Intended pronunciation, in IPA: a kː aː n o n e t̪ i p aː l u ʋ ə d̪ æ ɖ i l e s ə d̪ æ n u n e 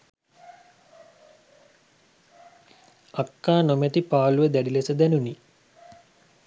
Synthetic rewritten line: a kː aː n o m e t̪ i p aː l u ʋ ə d̪ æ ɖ i l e s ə d̪ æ n u n i